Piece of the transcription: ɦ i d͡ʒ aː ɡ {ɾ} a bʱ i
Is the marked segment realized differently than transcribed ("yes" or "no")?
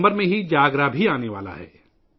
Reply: no